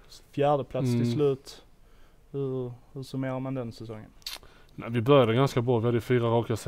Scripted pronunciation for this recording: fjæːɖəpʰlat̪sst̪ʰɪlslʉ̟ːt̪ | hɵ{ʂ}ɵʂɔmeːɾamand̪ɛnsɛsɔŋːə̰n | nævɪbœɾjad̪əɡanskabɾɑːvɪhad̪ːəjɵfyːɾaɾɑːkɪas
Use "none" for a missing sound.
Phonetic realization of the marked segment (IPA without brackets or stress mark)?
h